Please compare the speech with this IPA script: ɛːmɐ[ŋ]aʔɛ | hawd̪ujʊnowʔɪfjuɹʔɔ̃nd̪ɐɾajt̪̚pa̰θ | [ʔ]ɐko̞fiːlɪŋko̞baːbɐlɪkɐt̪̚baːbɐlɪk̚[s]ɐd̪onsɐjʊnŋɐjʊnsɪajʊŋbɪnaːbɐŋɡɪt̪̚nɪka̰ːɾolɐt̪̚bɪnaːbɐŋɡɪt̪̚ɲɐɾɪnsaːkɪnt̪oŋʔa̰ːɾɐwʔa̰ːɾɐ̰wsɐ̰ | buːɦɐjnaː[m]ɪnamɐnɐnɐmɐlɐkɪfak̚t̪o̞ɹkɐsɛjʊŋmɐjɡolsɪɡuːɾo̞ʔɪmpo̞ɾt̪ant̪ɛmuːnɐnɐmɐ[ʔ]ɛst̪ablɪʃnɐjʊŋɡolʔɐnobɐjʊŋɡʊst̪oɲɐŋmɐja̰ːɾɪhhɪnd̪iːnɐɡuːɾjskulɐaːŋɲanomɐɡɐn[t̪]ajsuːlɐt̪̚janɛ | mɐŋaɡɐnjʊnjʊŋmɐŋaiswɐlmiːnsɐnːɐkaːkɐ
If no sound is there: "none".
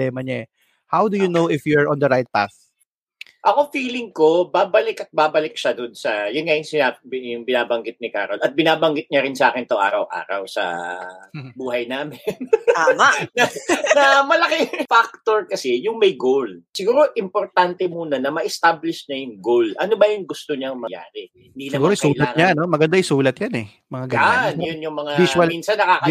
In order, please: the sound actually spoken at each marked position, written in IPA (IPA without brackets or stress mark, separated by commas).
ɲ, ʔ, ʃ, m, ʔ, d̪